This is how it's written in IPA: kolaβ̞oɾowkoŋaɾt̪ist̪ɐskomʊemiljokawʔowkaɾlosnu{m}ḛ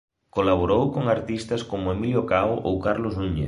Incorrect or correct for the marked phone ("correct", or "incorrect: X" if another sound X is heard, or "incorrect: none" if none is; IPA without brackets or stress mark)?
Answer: incorrect: ɲ